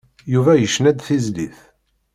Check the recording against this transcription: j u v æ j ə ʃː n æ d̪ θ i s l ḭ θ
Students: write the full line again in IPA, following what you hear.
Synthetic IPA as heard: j u v æ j ə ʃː n æ d̪ θ i z l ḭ θ